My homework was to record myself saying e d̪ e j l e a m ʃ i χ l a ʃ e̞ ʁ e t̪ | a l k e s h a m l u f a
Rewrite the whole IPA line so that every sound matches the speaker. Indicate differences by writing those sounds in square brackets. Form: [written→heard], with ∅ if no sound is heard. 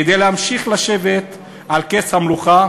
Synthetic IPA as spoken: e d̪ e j l e a m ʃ i χ l a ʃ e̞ [ʁ→v] e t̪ | a l k e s h a m l u [f→χ] a